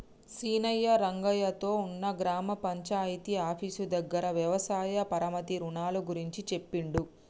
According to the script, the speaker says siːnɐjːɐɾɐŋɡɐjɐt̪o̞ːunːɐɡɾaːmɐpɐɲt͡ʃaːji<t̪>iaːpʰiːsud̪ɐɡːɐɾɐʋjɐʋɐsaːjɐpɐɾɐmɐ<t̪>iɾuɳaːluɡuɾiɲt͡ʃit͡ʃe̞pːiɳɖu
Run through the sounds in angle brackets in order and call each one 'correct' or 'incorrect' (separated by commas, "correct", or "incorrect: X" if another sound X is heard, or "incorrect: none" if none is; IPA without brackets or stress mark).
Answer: correct, correct